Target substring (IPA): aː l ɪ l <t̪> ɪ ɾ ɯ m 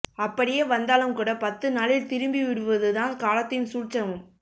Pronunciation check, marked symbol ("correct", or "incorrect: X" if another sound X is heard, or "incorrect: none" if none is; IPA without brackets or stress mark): correct